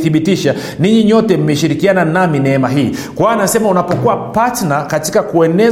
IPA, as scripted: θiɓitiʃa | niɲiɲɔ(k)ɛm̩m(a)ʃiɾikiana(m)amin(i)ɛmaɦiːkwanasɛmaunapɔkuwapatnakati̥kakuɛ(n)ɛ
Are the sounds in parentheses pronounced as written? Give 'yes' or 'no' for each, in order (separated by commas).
no, no, no, no, yes